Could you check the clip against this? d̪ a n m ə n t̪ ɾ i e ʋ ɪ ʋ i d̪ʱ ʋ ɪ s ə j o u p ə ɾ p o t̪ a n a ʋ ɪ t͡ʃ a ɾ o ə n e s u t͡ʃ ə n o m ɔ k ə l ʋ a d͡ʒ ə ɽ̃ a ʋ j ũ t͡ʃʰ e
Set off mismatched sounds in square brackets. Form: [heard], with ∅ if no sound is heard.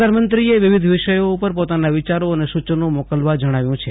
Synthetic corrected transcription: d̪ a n m ə n t̪ ɾ i e ʋ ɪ ʋ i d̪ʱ ʋ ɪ [ʃ] ə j o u p ə ɾ p o t̪ a n a ʋ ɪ t͡ʃ a ɾ o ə n e s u t͡ʃ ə n o m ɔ k ə l ʋ a d͡ʒ ə ɽ̃ a ʋ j ũ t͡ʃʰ e